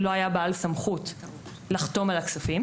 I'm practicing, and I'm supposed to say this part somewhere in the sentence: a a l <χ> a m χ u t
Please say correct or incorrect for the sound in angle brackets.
incorrect